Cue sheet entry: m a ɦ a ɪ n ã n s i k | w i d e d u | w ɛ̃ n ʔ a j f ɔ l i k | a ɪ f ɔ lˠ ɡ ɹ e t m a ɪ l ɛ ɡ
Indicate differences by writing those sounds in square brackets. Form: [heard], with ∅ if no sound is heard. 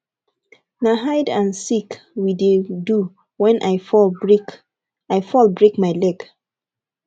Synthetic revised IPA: [n] a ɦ a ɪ [d] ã n s i k | w i d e d u | w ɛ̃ n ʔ a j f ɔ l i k | a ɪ f ɔ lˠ [b] ɹ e [k] m a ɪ l ɛ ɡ